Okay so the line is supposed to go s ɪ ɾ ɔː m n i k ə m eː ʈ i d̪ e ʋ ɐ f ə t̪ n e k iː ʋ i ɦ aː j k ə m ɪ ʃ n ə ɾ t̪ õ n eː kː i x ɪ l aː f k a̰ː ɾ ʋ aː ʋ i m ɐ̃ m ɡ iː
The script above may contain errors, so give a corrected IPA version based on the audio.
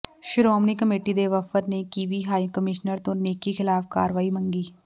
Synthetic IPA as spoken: ʃ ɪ ɾ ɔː m n i k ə m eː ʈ i d̪ e ʋ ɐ f ə t̪ n e k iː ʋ i ɦ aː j k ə m ɪ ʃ n ə ɾ t̪ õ n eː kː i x ɪ l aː f k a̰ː ɾ ʋ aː i m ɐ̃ ŋ ɡ iː